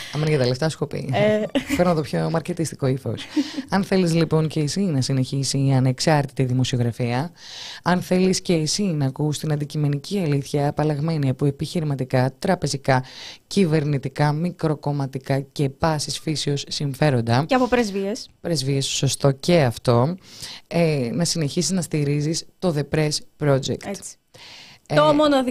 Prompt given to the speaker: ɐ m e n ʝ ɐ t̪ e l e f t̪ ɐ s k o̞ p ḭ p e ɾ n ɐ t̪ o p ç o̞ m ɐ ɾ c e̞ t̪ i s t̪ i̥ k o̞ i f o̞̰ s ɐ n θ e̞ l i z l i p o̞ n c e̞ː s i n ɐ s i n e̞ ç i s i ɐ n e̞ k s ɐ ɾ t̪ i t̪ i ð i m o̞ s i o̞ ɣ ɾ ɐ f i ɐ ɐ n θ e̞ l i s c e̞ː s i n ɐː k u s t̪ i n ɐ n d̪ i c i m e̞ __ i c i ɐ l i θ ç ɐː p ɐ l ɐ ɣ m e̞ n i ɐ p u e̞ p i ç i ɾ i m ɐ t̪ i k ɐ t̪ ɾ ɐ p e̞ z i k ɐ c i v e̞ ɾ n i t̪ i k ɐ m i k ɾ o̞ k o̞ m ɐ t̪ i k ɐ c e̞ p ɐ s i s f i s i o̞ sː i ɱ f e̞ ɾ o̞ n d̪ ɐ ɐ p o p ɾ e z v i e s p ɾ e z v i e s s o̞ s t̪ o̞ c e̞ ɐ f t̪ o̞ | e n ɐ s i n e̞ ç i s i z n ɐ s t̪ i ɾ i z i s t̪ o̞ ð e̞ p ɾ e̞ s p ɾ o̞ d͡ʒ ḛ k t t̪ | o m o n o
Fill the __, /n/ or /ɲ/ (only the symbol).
n